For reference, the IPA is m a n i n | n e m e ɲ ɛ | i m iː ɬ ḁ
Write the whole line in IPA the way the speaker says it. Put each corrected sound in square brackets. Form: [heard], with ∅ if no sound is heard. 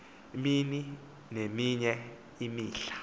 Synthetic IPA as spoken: m [i] n i [∅] | n e m [i] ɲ ɛ | i m iː ɬ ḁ